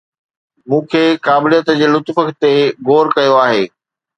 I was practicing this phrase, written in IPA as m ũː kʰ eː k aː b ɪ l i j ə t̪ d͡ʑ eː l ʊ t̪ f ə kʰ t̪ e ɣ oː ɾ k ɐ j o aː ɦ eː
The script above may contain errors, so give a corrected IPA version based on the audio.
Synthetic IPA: m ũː kʰ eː k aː b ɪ l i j ə t̪ d͡ʑ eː l ʊ t̪ f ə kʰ t̪ e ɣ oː ɾ k ɐ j o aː ɦ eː